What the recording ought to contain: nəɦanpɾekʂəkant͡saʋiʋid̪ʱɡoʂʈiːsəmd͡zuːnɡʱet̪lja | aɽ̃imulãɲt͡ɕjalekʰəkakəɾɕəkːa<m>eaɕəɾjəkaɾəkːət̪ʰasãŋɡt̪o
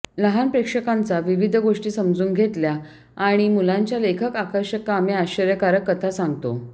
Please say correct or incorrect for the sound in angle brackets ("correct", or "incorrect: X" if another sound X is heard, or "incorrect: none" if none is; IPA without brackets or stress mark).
correct